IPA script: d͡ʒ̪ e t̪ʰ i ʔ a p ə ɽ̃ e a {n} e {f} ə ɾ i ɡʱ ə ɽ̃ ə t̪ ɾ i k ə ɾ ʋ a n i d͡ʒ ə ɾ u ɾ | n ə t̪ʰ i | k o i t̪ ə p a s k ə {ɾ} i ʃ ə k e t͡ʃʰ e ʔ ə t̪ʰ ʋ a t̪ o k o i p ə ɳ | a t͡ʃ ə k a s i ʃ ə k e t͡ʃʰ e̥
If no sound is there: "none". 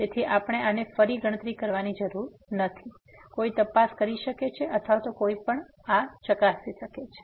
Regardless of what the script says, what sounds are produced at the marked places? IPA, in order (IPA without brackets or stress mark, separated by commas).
n, f, ɾ